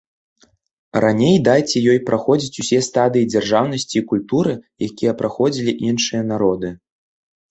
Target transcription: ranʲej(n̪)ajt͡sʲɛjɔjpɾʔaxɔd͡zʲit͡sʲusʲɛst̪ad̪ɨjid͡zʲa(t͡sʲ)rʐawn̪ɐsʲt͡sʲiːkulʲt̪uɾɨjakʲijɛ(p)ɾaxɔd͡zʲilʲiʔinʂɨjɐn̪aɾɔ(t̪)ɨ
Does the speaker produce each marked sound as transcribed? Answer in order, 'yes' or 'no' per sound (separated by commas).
no, no, yes, no